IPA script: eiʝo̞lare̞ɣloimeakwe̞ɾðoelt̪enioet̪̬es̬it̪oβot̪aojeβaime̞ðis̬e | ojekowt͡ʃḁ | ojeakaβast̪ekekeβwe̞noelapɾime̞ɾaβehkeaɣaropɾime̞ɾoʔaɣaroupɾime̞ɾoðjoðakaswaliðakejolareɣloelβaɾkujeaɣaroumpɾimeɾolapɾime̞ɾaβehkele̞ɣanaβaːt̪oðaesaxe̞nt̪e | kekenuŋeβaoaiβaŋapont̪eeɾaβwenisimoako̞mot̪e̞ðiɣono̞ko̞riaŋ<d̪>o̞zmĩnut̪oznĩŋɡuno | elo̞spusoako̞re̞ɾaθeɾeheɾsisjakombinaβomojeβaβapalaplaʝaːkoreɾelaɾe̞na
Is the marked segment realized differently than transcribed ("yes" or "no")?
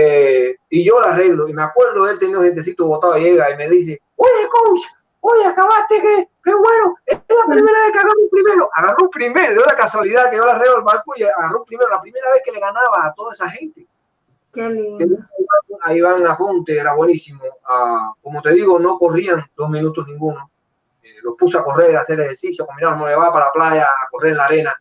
no